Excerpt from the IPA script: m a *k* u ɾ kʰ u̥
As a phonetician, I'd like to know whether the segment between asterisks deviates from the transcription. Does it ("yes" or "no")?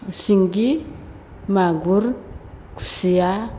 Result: yes